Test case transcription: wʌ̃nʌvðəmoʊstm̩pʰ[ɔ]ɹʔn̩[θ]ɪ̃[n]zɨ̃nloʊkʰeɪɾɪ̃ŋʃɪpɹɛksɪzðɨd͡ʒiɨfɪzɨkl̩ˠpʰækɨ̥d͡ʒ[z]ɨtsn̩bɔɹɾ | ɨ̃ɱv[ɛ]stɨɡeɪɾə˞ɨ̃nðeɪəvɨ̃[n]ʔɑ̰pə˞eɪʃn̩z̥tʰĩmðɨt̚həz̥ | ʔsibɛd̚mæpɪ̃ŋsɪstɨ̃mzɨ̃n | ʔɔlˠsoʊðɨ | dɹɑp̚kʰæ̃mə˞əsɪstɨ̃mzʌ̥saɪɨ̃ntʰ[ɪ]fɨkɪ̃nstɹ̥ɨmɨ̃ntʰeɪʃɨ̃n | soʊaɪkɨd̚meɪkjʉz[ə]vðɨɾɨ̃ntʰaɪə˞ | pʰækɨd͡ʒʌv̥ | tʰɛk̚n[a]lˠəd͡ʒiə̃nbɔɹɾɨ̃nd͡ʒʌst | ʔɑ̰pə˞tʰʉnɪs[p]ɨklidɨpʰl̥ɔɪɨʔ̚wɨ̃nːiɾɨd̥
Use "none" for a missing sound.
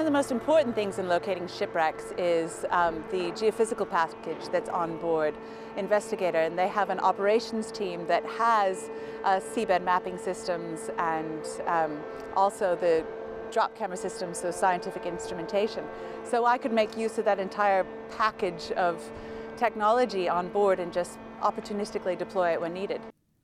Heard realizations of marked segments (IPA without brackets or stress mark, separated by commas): ɔ, θ, ŋ, ð, ɛ, n, ɪ, ʌ, ɑ, t